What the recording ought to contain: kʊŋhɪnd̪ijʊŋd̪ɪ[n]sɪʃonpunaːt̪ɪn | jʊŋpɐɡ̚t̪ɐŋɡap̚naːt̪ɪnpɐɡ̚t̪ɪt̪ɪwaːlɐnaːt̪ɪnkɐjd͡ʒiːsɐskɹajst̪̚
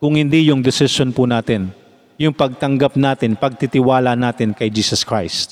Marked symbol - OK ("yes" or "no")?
no